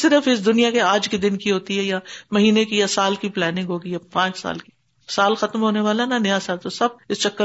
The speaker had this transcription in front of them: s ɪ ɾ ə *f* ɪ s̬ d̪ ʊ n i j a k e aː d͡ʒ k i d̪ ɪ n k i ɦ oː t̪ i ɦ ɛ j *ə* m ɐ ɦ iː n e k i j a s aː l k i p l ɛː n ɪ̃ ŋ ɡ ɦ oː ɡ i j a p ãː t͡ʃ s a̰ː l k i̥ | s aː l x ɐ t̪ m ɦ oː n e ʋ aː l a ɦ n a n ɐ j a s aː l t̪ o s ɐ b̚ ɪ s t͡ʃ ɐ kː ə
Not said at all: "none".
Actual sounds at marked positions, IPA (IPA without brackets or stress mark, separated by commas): f, a